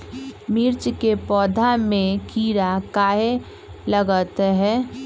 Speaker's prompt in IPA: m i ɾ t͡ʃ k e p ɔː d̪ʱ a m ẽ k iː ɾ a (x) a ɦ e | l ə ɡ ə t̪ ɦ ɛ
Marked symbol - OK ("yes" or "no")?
no